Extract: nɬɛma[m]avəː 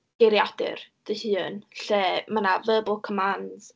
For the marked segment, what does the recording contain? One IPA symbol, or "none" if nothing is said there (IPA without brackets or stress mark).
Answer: n